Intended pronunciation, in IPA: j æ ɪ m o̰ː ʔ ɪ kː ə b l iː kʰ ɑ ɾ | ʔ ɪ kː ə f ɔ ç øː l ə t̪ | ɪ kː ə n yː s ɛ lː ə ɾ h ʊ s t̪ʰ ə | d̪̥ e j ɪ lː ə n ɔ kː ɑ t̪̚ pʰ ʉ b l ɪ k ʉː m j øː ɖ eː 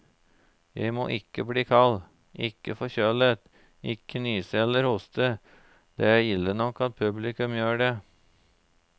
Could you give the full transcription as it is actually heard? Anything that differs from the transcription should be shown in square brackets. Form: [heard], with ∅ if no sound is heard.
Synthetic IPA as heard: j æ ɪ m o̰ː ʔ ɪ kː ə b l iː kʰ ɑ [l] | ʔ ɪ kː ə f ɔ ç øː l ə t̪ | ɪ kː ə n yː s ɛ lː ə ɾ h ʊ s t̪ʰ ə | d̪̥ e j ɪ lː ə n ɔ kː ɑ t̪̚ pʰ ʉ b l ɪ k [ʉ] m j øː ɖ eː